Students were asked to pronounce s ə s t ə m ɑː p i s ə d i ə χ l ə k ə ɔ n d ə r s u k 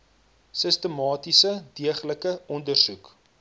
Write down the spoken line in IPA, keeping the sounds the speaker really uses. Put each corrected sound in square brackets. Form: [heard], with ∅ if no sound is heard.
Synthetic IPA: s ə s t ə m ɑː [t] i s ə d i ə χ l ə k ə ɔ n d ə r s u k